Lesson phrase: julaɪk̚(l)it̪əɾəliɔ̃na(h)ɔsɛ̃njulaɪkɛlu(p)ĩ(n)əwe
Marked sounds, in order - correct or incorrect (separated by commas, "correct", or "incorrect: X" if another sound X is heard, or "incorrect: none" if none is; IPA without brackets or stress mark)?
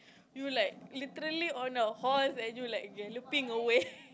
correct, correct, correct, incorrect: ŋ